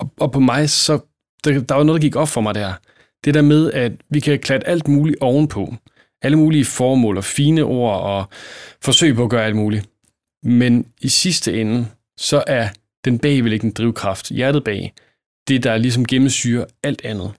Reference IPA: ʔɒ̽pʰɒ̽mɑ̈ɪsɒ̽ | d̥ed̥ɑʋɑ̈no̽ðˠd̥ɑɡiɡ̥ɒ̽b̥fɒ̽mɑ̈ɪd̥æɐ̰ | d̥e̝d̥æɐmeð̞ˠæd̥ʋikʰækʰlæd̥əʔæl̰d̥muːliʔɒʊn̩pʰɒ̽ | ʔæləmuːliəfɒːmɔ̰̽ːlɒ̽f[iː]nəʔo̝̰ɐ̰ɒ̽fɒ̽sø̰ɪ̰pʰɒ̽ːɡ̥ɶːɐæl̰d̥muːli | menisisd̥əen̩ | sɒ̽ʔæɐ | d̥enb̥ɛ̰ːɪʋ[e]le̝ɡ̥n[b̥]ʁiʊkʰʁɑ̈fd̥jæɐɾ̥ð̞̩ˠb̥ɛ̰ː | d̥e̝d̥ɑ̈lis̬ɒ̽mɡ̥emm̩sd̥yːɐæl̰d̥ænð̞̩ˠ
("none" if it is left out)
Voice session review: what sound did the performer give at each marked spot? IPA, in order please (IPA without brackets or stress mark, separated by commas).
iː, e, d̥